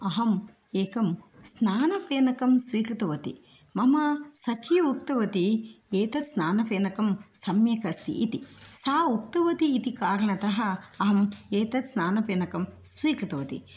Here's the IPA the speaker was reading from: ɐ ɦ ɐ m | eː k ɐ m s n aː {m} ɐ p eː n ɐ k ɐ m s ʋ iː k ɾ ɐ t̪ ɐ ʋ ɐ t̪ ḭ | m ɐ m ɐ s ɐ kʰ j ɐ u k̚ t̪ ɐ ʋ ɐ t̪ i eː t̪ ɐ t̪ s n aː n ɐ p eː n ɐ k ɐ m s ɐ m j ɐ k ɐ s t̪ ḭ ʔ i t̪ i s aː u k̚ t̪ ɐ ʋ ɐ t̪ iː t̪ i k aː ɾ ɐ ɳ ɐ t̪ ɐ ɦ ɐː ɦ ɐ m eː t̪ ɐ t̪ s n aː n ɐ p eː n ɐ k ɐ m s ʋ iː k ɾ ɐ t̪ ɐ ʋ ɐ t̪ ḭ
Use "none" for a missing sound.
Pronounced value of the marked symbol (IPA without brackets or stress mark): n